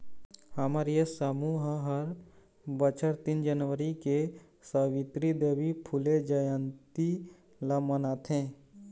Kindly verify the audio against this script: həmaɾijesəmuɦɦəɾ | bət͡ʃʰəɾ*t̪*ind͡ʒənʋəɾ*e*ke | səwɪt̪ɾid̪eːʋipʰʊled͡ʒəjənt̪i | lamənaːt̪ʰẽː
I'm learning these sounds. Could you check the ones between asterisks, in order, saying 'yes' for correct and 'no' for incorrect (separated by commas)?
yes, no